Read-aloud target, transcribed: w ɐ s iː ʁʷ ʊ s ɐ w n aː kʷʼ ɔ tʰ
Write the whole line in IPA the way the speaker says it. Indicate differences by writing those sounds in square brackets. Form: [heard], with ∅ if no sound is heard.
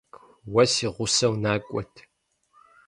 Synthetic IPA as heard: w ɐ s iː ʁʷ ʊ s ɐ w n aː kʷʼ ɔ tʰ